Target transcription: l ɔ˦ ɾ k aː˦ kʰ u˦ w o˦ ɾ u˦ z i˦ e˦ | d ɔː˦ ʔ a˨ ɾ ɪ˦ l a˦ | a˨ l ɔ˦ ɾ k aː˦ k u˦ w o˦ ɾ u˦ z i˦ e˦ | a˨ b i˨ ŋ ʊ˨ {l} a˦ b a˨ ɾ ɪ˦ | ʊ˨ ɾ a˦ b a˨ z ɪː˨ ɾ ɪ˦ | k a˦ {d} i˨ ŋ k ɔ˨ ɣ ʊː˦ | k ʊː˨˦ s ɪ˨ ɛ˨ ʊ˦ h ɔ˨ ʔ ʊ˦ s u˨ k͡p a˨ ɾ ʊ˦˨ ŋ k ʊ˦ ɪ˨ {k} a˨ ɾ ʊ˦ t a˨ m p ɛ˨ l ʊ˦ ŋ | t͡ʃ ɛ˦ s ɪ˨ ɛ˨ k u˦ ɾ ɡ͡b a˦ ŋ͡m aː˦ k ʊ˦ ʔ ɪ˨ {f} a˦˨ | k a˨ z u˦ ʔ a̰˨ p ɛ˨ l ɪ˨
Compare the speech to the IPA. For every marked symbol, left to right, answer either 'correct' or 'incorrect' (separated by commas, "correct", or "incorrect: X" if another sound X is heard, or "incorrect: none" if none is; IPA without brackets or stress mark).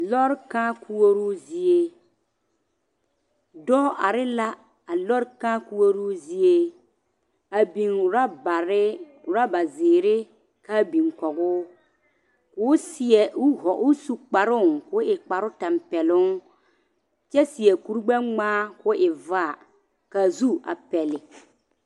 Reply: incorrect: ɾ, incorrect: b, incorrect: k͡p, incorrect: v